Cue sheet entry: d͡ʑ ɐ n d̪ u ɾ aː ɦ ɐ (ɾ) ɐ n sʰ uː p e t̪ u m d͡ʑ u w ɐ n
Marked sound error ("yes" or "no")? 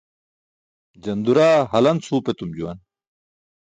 yes